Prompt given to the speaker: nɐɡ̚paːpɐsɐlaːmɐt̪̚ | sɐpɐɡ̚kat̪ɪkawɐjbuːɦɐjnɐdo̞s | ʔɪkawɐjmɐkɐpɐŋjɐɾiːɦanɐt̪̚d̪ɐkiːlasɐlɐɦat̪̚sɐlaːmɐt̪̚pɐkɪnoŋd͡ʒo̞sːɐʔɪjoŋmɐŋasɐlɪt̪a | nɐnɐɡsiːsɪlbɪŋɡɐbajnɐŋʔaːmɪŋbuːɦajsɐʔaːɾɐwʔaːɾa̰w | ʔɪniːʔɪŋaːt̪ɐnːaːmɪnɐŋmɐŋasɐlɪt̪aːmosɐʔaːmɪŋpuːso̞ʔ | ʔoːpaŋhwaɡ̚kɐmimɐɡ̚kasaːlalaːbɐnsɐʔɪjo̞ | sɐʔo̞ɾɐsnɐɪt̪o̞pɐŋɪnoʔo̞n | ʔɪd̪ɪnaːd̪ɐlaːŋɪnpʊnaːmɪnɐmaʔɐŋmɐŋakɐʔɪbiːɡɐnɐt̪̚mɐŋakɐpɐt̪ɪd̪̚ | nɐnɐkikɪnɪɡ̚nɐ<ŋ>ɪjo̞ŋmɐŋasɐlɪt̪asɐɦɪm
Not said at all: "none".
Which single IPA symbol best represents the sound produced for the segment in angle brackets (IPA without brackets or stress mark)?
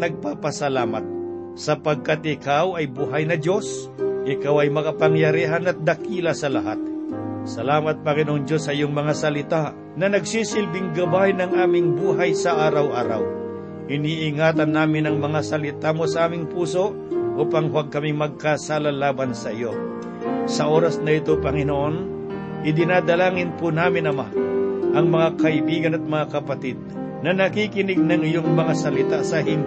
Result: ŋ